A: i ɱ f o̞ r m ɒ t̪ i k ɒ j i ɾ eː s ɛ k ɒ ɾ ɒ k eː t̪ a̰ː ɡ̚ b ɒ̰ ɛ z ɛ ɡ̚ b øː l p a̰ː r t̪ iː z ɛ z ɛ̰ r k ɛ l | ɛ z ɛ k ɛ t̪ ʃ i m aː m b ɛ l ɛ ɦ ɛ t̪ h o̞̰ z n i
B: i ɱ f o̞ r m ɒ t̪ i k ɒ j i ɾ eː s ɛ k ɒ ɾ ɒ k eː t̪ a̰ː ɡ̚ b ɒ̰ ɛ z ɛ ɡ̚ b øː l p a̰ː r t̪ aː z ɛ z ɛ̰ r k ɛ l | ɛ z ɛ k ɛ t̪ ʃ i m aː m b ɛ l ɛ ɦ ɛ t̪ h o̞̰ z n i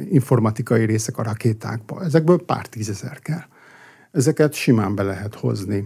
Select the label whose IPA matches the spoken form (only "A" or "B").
A